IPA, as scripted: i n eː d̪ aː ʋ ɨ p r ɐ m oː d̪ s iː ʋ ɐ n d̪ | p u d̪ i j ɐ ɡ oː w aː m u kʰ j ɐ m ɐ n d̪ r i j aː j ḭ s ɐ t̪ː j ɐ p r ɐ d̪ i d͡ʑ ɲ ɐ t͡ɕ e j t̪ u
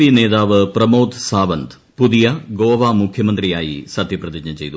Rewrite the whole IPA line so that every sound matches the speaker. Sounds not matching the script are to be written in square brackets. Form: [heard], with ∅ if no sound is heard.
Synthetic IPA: i n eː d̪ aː ʋ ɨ p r ɐ m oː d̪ s [aː] ʋ ɐ n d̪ | p u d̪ i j ɐ ɡ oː [ʋ] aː m u kʰ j ɐ m ɐ n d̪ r i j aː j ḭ s ɐ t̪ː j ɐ p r ɐ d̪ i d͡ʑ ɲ ɐ t͡ɕ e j t̪ u